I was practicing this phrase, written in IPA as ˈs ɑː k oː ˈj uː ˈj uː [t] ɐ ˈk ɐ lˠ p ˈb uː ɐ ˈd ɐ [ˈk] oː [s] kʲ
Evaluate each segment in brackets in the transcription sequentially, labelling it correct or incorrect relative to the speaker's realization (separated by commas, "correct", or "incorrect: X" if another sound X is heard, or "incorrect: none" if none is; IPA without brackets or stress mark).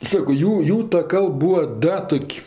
correct, incorrect: t, incorrect: none